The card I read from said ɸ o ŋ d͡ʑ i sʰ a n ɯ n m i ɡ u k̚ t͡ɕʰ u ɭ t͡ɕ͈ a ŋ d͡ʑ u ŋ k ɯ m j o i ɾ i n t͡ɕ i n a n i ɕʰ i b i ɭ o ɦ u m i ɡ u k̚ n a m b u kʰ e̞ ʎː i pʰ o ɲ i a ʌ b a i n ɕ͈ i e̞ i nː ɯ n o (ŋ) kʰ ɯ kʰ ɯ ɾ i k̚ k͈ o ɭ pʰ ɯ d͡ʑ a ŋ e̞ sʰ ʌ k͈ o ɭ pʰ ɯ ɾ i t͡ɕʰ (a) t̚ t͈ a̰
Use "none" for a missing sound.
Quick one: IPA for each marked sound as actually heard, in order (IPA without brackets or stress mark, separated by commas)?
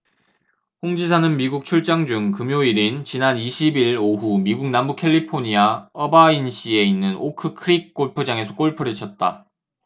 none, ʌ